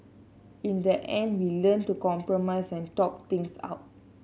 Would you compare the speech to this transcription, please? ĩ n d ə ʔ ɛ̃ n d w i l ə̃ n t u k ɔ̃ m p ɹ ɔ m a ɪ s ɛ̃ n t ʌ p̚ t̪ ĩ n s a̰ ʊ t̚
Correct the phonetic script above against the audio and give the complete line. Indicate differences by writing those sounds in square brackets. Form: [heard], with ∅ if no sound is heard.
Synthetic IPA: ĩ n d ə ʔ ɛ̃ n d w i l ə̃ n t u k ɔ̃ m p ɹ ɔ m a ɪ s ɛ̃ n t [ɔ] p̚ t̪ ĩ [ŋ] s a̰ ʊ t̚